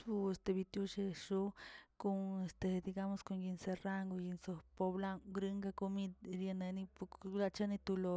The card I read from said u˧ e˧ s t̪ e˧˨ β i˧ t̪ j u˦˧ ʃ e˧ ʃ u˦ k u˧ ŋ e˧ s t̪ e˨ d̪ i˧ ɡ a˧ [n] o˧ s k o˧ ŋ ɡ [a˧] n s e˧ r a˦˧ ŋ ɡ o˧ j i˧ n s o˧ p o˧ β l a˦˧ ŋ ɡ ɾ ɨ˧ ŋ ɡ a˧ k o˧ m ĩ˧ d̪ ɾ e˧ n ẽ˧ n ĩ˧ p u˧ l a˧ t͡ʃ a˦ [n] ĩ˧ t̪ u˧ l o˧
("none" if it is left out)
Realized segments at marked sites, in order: m, i˧, n

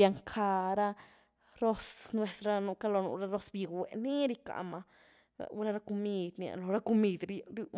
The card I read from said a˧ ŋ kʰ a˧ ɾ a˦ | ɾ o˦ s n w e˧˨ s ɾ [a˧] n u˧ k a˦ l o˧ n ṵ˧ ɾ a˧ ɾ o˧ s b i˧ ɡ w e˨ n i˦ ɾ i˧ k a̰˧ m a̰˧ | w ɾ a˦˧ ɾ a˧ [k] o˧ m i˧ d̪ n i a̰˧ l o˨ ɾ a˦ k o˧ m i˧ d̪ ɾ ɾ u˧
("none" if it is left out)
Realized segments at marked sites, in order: a˧, k

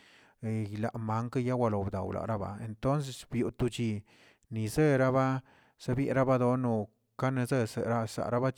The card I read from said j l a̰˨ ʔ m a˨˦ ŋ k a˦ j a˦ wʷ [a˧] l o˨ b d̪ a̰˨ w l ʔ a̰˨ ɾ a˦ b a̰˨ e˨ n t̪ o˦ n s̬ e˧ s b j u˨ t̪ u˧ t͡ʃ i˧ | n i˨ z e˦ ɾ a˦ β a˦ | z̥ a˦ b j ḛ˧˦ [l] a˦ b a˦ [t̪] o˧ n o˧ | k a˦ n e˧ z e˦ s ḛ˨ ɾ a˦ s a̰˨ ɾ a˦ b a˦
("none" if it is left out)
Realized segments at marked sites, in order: a˧, ɾ, d̪

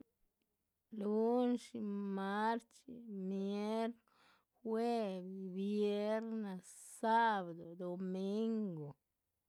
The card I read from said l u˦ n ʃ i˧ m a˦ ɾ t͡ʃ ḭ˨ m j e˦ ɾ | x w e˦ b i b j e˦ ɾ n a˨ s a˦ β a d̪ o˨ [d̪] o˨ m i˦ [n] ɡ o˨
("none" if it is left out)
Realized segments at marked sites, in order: d̪, ŋ

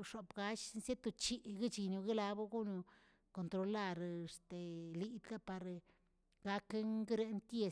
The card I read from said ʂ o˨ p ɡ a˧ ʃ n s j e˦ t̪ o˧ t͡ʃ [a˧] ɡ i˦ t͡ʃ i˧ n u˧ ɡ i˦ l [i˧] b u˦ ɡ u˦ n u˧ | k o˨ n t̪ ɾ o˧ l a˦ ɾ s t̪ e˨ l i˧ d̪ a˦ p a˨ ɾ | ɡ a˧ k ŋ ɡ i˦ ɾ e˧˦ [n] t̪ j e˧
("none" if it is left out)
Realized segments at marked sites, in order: i˧, a˧, n

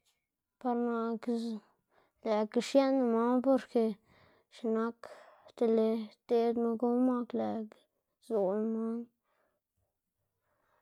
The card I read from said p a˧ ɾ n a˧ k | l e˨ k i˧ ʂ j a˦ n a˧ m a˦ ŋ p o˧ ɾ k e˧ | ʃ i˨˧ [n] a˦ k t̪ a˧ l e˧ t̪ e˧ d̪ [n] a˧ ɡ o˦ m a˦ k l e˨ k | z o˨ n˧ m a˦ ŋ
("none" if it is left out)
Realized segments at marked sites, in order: n, m

